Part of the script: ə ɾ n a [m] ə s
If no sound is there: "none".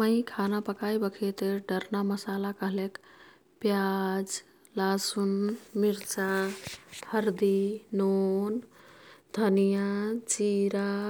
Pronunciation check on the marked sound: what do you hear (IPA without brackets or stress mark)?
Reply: m